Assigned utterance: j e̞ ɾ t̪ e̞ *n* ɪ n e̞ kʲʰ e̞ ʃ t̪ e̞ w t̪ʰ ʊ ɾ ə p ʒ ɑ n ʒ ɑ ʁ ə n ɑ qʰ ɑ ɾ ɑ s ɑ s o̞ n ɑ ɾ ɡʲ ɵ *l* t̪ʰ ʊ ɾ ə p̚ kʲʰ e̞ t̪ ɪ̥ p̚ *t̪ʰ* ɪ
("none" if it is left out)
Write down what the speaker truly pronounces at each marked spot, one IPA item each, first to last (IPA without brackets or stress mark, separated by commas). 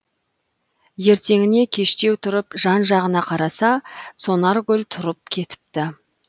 ŋ, l, t̪